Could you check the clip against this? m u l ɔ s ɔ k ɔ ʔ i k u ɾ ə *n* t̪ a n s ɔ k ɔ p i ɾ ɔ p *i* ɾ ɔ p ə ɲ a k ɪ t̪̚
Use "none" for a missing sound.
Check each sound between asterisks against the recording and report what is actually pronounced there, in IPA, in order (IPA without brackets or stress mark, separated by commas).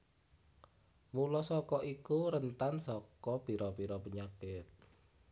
n, i